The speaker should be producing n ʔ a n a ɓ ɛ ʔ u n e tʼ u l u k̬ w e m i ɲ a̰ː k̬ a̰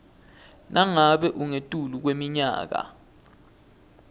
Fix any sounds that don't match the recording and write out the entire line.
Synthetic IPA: n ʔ a ŋ a ɓ ɛ ʔ u ŋ e tʼ u l u k̬ w e m i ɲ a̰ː k̬ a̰